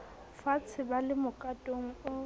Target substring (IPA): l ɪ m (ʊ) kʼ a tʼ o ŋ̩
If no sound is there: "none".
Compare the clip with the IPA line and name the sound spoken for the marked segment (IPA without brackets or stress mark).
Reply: ʊ